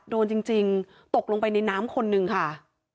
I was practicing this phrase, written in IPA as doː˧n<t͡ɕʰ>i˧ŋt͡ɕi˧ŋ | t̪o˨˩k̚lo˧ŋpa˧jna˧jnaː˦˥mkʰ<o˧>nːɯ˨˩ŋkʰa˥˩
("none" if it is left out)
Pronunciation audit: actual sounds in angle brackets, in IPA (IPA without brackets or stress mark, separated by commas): t͡ɕ, o˧